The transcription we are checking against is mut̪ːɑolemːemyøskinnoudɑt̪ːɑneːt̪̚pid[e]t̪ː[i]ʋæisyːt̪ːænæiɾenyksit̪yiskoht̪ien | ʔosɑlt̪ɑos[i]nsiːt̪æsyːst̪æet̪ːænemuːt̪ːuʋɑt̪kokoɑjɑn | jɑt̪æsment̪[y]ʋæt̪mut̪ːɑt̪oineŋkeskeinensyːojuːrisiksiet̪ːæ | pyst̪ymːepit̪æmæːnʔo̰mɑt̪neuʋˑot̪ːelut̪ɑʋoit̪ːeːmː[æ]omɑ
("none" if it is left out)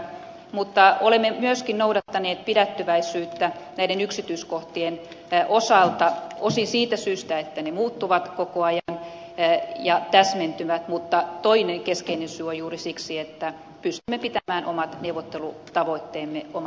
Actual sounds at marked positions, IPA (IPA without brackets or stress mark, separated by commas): æ, y, i, y, e